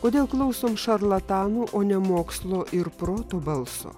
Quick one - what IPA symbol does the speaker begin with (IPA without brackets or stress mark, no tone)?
k